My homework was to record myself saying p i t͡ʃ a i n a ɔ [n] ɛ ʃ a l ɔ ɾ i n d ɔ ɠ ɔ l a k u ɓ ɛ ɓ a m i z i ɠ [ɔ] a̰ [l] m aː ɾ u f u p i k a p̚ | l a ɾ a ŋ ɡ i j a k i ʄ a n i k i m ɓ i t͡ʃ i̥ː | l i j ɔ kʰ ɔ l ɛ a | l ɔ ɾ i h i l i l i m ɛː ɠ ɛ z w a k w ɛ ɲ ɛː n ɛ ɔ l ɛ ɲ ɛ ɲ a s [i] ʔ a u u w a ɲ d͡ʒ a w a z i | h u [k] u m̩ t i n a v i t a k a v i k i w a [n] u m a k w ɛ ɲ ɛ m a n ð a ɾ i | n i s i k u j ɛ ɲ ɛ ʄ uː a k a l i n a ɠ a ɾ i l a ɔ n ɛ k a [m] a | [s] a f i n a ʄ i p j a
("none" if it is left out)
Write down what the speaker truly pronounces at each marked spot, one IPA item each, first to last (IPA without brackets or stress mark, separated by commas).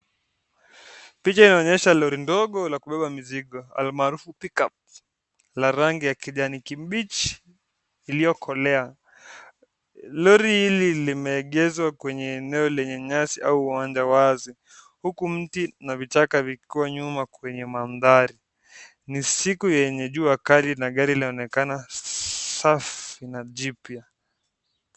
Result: ɲ, ɔ, l, i, k, ɲ, n, s